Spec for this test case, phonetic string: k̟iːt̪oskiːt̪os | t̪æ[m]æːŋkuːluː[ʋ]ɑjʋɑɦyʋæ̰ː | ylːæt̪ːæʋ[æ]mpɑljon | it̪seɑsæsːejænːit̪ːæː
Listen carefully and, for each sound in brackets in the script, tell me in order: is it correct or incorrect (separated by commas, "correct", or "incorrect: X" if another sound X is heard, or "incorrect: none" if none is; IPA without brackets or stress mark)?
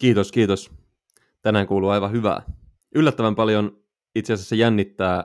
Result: incorrect: n, incorrect: none, correct